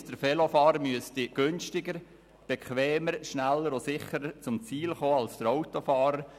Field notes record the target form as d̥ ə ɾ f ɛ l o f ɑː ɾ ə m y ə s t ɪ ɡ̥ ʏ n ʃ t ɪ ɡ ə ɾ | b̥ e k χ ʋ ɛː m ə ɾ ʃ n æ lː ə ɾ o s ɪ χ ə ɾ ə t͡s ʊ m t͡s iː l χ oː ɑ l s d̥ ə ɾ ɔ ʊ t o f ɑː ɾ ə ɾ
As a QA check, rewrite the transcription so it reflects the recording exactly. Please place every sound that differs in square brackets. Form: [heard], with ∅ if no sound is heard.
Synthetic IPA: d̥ ə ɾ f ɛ l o f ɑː ɾ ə m y ə s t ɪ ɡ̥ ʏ n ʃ t ɪ ɡ ə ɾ | b̥ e k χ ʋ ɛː m ə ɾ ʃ n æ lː ə ɾ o s ɪ χ ə ɾ ə t͡s ʊ m t͡s iː l χ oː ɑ l s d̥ ə ɾ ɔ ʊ t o f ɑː ɾ ə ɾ